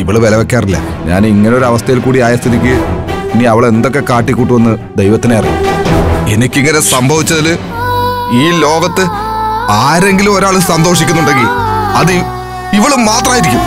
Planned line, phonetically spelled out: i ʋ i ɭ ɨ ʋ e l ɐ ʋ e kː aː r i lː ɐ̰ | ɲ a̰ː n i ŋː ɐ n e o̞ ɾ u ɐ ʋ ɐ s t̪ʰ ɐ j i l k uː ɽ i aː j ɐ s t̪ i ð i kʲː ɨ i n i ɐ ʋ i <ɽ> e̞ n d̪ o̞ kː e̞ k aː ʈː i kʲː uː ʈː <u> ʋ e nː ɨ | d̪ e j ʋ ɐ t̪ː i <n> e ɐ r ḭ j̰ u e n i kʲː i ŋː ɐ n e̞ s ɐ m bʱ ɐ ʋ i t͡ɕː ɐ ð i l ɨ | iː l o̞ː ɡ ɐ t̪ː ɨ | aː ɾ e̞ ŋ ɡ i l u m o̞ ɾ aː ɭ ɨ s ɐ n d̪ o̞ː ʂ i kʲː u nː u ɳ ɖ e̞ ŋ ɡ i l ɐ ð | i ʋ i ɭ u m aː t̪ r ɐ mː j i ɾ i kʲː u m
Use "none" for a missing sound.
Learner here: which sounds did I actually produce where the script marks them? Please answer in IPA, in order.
ɭ, u, n

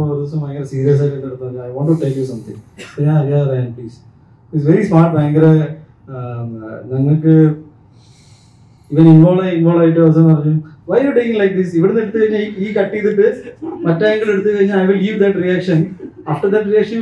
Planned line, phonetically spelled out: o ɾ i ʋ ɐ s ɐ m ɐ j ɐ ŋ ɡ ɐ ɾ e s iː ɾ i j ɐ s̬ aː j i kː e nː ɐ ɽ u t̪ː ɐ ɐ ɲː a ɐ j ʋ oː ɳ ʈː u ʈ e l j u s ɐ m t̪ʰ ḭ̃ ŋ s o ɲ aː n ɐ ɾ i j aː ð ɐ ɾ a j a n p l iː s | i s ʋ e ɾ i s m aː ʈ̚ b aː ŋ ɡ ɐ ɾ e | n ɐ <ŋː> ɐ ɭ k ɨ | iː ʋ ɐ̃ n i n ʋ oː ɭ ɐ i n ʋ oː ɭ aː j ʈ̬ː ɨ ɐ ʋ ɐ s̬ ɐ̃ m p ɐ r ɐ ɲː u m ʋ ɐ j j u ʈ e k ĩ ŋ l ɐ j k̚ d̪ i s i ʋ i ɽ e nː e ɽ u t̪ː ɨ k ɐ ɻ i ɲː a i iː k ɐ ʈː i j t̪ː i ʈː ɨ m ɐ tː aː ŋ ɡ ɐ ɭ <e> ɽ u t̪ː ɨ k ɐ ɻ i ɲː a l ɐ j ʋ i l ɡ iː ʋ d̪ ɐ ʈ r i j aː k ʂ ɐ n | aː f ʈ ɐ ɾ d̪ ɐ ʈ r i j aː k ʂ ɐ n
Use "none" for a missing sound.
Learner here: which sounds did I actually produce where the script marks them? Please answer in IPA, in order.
ŋː, e

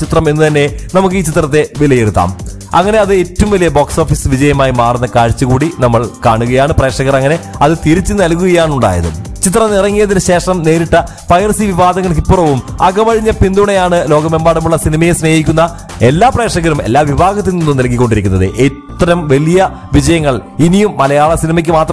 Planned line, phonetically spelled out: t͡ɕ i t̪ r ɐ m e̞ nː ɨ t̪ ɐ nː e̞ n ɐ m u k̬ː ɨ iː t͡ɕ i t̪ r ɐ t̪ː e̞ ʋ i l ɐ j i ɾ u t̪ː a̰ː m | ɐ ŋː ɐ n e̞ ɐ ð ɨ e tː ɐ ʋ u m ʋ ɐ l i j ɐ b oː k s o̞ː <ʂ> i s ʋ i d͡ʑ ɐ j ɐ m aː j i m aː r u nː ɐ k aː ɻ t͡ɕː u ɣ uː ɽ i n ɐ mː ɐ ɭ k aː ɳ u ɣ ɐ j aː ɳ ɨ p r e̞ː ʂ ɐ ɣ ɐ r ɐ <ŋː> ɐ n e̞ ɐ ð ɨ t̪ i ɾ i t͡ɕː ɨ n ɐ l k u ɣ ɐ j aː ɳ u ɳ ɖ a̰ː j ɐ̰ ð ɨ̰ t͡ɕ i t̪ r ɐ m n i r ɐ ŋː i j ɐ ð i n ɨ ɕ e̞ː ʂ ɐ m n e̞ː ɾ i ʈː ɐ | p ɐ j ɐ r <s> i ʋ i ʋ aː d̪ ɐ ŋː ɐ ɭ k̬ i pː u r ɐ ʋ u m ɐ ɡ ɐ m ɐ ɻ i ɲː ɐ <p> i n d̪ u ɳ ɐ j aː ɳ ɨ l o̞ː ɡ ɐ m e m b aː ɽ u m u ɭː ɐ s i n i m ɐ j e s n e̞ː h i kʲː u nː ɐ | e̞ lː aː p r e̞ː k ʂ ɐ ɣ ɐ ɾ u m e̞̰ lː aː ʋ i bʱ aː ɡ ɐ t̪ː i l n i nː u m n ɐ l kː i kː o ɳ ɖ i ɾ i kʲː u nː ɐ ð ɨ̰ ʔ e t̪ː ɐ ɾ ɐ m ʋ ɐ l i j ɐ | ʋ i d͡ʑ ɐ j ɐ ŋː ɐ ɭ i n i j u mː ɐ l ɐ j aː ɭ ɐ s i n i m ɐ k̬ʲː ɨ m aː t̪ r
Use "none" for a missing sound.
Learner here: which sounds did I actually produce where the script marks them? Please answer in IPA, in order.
f, ŋː, s, p

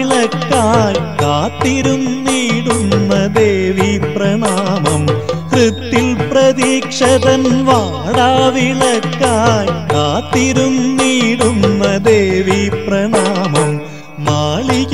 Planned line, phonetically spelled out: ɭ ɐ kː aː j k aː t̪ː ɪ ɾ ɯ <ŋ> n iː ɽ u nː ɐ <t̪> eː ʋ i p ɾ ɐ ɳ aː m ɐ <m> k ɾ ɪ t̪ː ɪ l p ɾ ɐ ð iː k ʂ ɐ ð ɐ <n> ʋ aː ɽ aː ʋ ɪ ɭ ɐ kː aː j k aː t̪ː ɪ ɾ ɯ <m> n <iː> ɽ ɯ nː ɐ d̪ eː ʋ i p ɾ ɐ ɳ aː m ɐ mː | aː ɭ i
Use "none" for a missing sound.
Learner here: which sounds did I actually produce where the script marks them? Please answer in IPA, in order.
m, d̪, m, n, m, iː

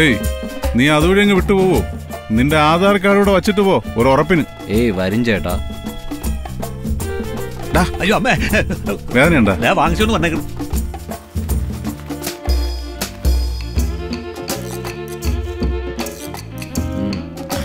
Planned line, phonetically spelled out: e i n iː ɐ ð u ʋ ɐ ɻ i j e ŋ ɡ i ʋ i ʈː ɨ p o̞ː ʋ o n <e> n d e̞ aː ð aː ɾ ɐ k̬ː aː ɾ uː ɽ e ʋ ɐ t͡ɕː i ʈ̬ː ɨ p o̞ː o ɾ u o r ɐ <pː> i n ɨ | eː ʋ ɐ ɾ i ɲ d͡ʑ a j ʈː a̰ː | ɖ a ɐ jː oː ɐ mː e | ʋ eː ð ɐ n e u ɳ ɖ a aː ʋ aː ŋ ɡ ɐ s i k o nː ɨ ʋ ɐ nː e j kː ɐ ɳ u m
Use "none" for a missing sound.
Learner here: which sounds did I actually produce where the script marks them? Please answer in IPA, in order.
i, pː

